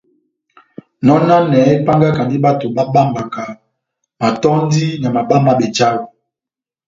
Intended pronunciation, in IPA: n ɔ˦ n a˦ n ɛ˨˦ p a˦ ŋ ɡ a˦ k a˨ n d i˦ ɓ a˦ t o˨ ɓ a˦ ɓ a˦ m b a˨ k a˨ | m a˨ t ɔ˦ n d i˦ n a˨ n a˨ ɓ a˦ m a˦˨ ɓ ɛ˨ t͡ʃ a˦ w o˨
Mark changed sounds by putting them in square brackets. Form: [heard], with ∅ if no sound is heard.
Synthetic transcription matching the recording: n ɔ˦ n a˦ n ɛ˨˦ p a˦ ŋ ɡ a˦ k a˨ n d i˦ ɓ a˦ t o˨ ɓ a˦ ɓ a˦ m b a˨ k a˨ | m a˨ t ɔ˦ n d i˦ n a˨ [m] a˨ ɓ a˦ m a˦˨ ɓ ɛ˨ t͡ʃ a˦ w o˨